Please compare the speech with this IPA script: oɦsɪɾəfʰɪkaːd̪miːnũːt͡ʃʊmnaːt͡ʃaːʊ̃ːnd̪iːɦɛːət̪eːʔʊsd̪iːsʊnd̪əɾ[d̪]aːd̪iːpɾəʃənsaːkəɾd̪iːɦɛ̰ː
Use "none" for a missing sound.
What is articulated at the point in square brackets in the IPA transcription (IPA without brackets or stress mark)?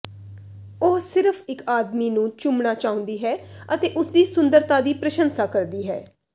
t̪